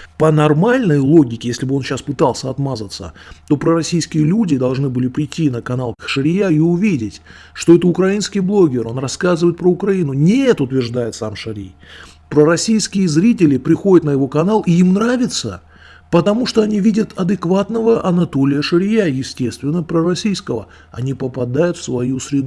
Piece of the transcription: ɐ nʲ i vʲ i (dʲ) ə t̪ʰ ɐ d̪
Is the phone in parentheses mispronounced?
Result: no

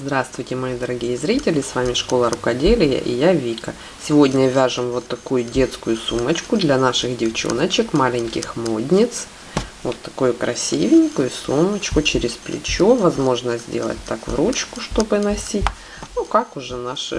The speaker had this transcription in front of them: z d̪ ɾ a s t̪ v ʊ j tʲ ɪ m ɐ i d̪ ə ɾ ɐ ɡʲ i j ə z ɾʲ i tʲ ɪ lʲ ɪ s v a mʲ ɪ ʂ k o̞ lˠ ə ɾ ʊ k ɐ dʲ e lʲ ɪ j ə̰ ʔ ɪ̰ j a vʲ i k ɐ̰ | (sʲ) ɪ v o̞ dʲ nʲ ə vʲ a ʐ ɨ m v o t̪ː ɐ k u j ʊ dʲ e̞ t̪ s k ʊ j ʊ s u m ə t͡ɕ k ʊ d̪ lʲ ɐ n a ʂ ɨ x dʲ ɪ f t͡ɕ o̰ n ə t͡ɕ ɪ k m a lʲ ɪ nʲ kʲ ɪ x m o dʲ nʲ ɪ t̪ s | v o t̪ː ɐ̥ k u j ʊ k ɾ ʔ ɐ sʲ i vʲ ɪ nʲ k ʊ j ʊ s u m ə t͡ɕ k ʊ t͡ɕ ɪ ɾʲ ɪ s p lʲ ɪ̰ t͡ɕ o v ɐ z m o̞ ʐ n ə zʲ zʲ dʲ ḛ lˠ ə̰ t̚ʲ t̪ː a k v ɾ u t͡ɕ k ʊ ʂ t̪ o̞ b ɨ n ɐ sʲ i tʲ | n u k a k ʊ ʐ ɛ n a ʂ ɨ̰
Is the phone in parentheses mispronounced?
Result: no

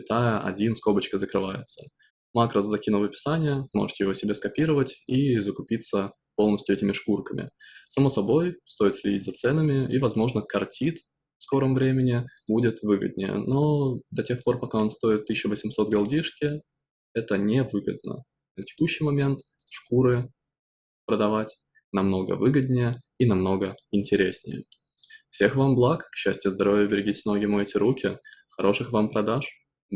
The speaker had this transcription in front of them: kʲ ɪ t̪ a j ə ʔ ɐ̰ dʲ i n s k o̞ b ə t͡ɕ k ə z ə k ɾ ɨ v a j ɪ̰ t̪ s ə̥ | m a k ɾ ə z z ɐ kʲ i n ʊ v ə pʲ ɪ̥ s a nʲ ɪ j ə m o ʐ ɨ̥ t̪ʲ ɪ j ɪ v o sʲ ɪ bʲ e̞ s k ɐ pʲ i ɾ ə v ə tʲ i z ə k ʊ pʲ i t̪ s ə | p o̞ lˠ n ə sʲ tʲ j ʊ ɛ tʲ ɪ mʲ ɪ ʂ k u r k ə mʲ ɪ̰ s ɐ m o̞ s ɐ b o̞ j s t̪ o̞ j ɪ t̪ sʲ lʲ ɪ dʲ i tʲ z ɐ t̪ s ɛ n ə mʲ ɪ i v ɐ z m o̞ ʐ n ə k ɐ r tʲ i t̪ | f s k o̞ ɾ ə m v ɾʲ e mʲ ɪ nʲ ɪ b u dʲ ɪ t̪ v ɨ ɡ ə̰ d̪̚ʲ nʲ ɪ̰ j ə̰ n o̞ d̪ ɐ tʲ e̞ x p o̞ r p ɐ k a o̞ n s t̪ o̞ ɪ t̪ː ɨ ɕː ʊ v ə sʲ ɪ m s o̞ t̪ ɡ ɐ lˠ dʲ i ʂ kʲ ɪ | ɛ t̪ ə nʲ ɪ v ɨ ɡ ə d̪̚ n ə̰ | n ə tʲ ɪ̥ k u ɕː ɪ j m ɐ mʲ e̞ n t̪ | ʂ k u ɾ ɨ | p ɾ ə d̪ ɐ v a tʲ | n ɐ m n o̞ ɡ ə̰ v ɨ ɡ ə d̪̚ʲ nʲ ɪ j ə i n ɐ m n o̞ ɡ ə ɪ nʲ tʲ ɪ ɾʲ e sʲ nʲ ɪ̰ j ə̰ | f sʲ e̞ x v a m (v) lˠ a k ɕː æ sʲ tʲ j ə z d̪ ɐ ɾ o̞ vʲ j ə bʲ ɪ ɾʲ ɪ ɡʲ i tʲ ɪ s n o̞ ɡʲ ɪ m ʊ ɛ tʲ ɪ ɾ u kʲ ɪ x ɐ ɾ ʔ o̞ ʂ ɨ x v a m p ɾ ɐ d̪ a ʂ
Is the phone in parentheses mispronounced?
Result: yes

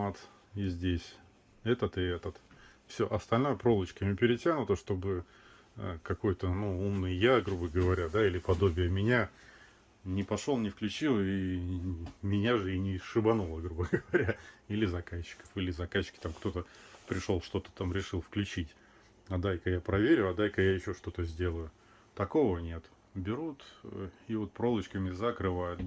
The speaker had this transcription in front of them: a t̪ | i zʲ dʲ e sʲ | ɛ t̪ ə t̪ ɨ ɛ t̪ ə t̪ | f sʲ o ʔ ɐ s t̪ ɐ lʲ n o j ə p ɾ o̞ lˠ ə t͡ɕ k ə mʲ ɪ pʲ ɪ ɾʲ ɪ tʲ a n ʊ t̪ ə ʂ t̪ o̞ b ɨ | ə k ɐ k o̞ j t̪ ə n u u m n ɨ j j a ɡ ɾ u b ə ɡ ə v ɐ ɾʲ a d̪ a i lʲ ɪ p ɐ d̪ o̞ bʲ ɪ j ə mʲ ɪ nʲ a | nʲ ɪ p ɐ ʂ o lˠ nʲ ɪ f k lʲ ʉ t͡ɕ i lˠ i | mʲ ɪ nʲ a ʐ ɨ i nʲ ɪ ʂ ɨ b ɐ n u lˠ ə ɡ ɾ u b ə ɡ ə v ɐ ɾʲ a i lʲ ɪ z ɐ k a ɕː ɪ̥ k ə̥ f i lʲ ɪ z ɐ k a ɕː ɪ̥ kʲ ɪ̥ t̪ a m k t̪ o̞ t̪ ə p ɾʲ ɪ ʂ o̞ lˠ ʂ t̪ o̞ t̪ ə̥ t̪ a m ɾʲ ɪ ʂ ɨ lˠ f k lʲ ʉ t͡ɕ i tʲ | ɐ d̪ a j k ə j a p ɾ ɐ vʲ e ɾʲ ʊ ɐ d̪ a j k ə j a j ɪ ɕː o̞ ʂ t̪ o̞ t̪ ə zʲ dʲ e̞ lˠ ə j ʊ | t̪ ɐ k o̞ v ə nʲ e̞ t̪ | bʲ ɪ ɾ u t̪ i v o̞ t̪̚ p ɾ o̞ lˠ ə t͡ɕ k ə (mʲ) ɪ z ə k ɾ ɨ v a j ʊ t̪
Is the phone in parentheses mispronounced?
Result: no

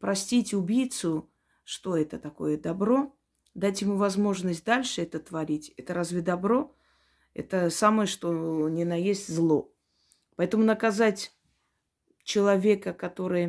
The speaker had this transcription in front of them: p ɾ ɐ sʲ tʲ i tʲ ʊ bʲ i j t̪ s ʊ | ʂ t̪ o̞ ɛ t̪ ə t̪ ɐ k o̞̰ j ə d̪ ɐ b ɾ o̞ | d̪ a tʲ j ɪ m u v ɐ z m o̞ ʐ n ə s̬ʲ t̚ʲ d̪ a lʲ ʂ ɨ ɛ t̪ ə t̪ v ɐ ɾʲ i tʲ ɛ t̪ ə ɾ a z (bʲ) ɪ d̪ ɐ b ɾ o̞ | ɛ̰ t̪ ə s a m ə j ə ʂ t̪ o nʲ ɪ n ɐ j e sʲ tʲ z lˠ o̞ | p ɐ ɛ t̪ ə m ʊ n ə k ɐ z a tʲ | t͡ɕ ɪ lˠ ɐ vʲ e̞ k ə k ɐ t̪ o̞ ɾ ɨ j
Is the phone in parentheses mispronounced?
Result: yes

